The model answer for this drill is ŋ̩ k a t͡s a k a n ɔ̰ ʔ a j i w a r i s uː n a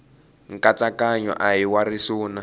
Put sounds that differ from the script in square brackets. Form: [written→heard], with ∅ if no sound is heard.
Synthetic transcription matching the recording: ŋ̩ k a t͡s a k a [n→ɲ] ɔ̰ ʔ a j i w a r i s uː n a